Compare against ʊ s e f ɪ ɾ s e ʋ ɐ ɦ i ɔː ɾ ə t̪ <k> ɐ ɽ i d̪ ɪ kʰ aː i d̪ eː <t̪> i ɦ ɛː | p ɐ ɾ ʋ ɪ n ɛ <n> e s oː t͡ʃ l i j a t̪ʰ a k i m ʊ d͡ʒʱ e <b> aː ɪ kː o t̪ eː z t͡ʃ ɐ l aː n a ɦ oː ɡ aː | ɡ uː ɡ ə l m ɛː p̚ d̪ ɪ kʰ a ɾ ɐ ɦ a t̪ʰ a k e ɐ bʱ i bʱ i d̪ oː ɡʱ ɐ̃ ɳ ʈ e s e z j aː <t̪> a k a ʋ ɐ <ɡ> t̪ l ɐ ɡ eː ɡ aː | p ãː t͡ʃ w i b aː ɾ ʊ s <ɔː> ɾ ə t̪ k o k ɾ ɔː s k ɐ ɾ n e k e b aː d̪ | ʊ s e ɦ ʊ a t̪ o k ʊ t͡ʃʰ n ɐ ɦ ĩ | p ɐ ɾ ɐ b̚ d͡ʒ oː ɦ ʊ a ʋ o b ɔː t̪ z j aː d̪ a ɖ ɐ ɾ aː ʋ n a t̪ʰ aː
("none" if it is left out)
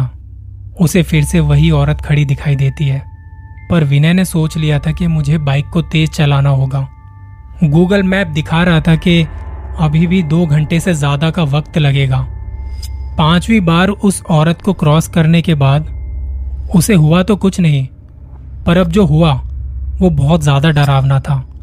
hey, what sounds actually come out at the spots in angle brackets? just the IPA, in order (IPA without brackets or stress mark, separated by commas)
kʰ, t̪, n, b, d̪, k, ɔː